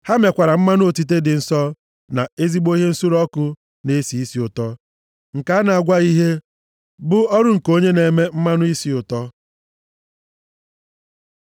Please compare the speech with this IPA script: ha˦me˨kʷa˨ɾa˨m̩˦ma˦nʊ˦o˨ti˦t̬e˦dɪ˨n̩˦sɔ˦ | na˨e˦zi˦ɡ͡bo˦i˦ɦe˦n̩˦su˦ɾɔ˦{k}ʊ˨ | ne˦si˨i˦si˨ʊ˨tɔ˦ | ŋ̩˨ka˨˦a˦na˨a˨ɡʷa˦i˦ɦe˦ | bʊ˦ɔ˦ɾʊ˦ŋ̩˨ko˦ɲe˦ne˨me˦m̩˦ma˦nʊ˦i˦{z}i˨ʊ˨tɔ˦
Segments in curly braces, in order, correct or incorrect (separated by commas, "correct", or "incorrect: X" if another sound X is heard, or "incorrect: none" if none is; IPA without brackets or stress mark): correct, incorrect: s